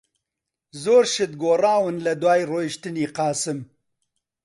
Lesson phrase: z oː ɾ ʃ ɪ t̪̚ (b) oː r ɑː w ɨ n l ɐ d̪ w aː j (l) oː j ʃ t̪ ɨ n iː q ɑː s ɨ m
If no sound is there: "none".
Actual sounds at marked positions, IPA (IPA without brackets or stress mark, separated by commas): ɡ, r